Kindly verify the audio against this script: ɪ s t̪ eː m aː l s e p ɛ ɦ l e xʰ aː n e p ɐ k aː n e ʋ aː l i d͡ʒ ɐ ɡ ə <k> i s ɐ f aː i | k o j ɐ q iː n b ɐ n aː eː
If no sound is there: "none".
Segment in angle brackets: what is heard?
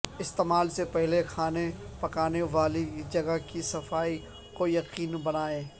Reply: k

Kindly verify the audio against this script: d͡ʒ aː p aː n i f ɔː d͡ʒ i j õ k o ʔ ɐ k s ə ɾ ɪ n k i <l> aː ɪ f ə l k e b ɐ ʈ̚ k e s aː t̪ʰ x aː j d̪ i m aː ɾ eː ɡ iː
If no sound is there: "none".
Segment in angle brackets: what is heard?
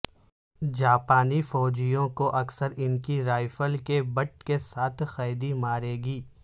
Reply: ɾ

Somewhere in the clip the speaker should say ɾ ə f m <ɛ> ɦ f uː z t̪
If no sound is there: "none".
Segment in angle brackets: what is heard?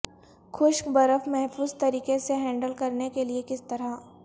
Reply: ɛ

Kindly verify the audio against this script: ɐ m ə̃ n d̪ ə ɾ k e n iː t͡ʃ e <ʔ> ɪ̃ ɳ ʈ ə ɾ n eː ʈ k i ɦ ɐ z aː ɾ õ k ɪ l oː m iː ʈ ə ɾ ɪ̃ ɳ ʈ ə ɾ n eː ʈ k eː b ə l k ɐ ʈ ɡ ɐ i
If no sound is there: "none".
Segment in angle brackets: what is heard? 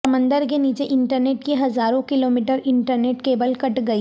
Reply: ʔ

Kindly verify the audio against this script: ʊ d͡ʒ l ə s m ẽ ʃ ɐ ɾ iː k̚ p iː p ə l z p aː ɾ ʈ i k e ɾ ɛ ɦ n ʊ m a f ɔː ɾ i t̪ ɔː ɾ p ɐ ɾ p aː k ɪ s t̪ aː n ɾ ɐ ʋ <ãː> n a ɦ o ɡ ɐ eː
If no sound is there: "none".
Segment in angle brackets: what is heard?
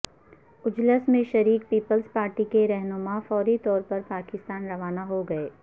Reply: aː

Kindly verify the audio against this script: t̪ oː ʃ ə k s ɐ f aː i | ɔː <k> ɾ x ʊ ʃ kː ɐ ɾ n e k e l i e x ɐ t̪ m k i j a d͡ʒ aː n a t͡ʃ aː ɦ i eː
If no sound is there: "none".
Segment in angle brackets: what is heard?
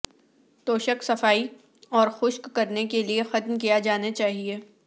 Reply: none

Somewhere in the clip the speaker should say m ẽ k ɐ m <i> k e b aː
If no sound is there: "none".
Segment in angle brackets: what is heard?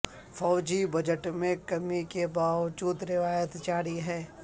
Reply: i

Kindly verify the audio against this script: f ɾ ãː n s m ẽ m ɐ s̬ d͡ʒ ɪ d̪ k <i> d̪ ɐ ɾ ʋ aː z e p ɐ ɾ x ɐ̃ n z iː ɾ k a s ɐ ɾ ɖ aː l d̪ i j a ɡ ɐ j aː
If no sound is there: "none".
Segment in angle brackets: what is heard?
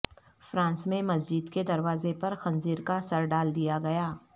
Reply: e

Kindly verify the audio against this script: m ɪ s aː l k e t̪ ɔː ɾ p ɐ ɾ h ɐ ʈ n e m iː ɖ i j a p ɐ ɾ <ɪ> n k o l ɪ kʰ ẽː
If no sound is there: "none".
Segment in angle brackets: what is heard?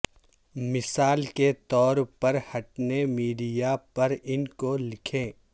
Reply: ɪ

